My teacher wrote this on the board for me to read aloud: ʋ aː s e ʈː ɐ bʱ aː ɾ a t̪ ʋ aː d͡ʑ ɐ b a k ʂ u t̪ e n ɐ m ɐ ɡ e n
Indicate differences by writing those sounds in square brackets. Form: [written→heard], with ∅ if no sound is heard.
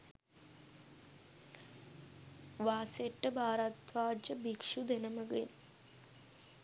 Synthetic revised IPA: ʋ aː s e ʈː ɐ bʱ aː ɾ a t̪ ʋ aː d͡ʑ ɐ b [a→i] k ʂ u [t̪→d̪] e n ɐ m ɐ ɡ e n

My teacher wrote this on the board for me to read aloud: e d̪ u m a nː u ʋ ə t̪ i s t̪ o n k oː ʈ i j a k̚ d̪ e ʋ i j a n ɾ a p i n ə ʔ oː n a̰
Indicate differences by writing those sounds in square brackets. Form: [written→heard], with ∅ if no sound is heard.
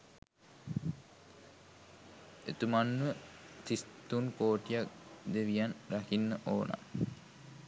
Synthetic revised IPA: e [d̪→t̪] u m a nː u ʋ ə t̪ i s t̪ [o→u] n k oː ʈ i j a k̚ d̪ e ʋ i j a n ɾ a [p→k] i [n→nː] ə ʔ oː n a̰

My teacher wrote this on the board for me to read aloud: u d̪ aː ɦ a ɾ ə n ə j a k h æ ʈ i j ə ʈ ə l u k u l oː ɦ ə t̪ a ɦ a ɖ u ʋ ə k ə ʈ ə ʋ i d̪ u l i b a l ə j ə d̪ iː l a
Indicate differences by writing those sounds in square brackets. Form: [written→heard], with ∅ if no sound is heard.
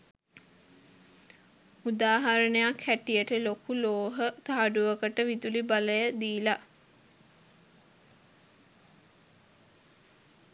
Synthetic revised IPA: u d̪ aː ɦ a ɾ ə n ə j a k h æ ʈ i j ə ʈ ə l [u→o] k u l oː ɦ ə t̪ a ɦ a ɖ u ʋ ə k ə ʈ ə ʋ i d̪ u l i b a l ə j ə d̪ iː l a

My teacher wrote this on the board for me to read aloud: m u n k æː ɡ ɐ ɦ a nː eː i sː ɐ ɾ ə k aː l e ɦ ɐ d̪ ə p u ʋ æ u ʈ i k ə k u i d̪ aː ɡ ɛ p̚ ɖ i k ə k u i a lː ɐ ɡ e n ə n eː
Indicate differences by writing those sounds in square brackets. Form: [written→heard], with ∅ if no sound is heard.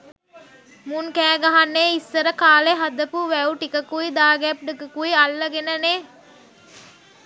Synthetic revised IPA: m u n k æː ɡ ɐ ɦ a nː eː i sː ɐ ɾ ə k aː l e ɦ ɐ d̪ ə p u ʋ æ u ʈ i k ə k u i d̪ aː ɡ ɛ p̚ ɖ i k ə k u i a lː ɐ ɡ e n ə n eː

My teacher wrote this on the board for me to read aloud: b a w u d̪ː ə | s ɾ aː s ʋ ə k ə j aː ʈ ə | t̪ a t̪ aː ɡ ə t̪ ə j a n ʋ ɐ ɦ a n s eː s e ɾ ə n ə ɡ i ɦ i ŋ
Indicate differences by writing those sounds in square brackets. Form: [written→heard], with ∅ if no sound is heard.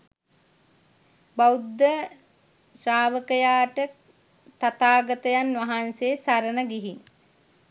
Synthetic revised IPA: b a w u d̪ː ə | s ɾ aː [s→∅] ʋ ə k ə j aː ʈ ə | t̪ a t̪ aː ɡ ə t̪ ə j a n ʋ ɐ ɦ a n s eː s [e→a] ɾ ə n ə ɡ i ɦ i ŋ

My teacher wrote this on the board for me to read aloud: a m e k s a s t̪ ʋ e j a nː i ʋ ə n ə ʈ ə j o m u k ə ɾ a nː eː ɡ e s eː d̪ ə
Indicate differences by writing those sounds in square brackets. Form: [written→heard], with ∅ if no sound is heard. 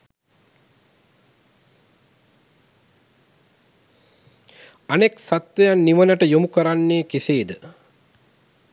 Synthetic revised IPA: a [m→n] e k s a [s→∅] t̪ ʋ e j a nː i ʋ ə n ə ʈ ə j o m u k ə ɾ a nː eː [ɡ→k] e s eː d̪ ə

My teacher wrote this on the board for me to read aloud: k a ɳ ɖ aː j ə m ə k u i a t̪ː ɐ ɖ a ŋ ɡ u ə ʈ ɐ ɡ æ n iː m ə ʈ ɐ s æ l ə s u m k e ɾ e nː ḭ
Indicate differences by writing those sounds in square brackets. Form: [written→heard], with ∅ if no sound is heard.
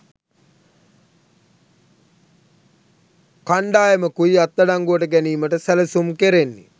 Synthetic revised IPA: k a ɳ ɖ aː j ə m ə k u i a t̪ː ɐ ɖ a ŋ ɡ u ə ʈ [ɐ→ə] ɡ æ n iː m ə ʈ [ɐ→ə] s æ l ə s u m k e ɾ e nː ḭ

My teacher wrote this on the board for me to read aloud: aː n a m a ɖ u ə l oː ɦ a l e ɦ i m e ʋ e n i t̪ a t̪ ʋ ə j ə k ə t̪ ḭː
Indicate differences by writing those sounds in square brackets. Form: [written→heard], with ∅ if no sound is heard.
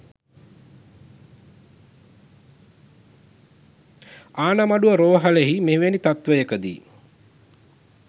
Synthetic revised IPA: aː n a m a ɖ u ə [l→ɾ] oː ɦ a l e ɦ i m e ʋ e n i t̪ a t̪ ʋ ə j ə k ə [t̪→d̪] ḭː

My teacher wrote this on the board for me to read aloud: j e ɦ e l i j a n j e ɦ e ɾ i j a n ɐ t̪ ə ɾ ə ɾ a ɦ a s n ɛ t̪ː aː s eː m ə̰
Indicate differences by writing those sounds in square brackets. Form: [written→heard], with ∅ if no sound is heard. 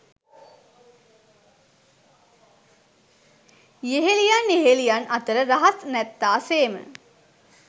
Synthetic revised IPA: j e ɦ e l i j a n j e ɦ e [ɾ→l] i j a n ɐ t̪ ə ɾ ə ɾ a ɦ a s n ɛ t̪ː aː s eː m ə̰

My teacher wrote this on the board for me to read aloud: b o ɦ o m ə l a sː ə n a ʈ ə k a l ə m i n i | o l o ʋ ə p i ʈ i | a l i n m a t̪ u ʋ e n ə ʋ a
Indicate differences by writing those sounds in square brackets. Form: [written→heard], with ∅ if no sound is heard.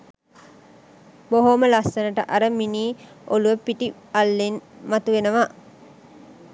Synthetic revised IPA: b o ɦ o m ə l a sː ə n [a→ə] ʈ ə [k→ʔ] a [l→ɾ] ə m i n [i→iː] | o l [o→u] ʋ ə p i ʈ i | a [l→lː] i n m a t̪ u ʋ e n ə ʋ a

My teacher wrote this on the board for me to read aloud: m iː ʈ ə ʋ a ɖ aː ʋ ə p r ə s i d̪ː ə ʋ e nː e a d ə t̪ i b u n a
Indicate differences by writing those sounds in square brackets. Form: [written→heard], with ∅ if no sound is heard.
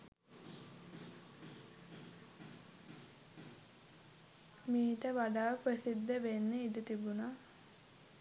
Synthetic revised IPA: m iː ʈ ə ʋ a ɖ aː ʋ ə p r ə s i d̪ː ə ʋ e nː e [a→i] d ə t̪ i b u n a

